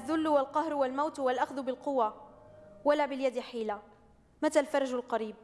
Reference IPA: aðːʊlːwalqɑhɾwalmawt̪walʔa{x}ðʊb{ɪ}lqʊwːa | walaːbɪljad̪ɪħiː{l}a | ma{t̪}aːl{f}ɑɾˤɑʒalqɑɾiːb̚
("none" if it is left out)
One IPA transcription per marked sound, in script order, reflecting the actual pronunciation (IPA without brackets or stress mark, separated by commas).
x, ɪ, l, t̪, f